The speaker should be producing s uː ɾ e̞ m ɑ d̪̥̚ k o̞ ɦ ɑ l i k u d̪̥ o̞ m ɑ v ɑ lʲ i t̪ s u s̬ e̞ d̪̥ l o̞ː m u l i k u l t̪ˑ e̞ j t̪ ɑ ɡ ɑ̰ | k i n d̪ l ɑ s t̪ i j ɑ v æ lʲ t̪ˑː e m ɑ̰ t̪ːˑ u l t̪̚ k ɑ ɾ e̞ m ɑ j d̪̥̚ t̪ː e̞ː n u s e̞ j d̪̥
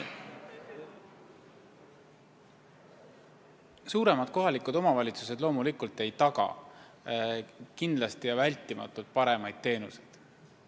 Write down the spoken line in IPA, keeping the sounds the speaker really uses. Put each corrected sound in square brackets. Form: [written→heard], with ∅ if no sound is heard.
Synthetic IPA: s uː ɾ e̞ m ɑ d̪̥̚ k o̞ ɦ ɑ l i k u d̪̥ o̞ m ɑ v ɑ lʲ i t̪ s u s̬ e̞ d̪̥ l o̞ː m u l i k u l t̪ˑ e̞ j t̪ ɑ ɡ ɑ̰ | k i n d̪ l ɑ s t̪ i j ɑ v æ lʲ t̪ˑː [e→i] m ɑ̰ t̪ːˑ u l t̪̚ [k→p] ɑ ɾ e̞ m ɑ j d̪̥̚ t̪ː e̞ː n u s e̞ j d̪̥